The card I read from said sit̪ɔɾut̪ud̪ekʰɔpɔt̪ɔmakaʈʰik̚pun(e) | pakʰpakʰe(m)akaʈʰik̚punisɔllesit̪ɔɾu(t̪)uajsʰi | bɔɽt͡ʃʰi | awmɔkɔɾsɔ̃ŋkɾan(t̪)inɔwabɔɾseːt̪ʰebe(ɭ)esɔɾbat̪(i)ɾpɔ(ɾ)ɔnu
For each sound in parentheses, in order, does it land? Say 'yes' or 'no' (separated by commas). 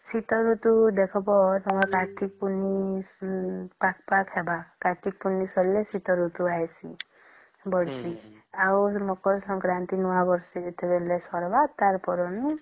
no, no, yes, yes, no, no, yes